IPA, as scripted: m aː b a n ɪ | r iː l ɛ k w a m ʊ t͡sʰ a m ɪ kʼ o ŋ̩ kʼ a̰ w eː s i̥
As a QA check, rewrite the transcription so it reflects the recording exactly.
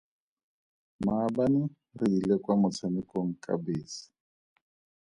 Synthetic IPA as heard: m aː b a n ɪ | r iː l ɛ k w a m ʊ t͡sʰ a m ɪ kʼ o ŋ̩ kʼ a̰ b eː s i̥